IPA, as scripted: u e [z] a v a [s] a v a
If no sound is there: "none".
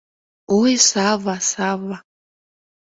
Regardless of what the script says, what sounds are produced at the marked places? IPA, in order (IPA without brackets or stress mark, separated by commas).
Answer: s, s